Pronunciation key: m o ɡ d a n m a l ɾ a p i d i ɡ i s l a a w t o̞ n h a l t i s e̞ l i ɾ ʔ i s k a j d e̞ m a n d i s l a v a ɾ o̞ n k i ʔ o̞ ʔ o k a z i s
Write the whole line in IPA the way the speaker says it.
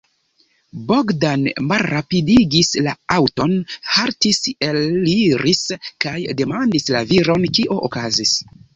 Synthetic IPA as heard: b o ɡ d a n m a l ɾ a p i d i ɡ i s l a a w t o̞ n h a ɾ t i s e̞ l i ɾ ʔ i s k a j d e̞ m a n d i s l a v i ɾ o̞ n k i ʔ o̞ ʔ o k a z i s